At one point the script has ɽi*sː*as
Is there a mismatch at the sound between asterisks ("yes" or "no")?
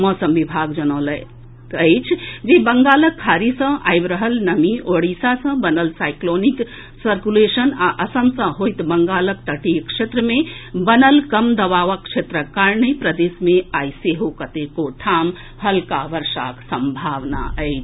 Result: yes